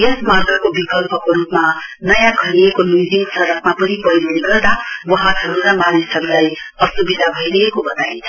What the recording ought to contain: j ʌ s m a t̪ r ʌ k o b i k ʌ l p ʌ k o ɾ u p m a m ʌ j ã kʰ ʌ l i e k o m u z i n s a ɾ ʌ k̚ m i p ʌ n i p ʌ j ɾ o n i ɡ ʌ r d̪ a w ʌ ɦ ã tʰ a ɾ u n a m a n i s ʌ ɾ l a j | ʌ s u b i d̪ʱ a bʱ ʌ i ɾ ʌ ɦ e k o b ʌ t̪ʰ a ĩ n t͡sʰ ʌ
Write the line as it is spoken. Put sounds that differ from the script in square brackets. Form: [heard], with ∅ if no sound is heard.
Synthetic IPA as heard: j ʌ s m a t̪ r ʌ k o b i k ʌ l p ʌ k o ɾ u p m a [n] ʌ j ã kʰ ʌ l i e k o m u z i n s [ʌ] ɾ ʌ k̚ m [a] p ʌ n i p ʌ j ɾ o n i ɡ ʌ r d̪ a w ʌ ɦ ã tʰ [ʌ] ɾ u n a m a n i s ʌ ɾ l a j | ʌ s u b i d̪ʱ a bʱ ʌ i ɾ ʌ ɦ e k o b ʌ [t̪] a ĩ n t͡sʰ ʌ

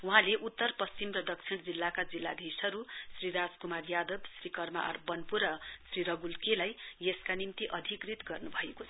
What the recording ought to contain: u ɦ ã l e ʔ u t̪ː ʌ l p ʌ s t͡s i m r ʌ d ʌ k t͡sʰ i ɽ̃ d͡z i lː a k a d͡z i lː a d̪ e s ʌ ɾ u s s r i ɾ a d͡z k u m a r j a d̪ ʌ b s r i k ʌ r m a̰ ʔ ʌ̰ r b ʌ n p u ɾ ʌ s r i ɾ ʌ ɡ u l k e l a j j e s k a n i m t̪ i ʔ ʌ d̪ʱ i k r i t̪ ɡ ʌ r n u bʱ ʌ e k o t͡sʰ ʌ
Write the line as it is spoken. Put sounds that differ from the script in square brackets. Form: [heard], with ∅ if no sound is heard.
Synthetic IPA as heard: u ɦ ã l e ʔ u t̪ː ʌ [r] p ʌ s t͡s i m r ʌ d ʌ k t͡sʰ i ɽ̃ d͡z i lː a k a d͡z i lː a d̪ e s ʌ ɾ u s s r i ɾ a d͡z k u m a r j a d̪ ʌ b s r i k ʌ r m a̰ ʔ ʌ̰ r b ʌ n p u ɾ ʌ s r i ɾ ʌ ɡ u l k e l a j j e s k a n i m t̪ i ʔ ʌ d̪ʱ i k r i t̪ ɡ ʌ r n u bʱ ʌ e k o t͡sʰ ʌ

